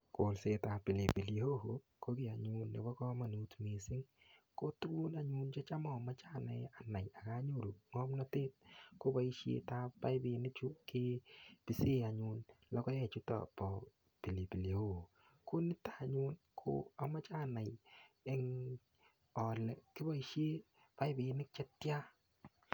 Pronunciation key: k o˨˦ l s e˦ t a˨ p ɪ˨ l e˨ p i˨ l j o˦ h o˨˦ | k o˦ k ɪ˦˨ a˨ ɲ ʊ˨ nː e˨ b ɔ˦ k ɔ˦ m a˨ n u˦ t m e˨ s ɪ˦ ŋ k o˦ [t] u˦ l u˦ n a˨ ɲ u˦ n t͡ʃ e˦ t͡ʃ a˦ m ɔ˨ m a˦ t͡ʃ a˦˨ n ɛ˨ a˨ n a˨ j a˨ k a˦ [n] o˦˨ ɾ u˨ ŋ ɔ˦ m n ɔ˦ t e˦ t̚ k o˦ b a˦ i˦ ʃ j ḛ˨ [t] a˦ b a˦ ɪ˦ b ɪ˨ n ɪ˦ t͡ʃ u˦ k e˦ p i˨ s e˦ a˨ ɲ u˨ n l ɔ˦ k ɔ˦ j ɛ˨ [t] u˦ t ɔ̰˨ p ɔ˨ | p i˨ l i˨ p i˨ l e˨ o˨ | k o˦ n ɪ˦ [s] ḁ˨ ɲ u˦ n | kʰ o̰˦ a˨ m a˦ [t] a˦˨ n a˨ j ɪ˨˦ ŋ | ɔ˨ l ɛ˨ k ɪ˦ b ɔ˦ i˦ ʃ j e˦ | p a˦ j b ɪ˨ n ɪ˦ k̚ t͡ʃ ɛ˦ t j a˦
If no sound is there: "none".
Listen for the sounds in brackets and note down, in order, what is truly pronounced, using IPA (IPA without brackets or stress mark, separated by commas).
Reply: t, ɲ, t, t͡ʃ, t, t͡ʃ